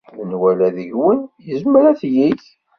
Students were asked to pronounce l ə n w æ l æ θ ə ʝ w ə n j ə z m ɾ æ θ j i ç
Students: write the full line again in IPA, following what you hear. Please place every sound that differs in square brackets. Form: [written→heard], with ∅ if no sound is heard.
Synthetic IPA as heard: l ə n w æ l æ [θ→ð] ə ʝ w ə n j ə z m ɾ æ θ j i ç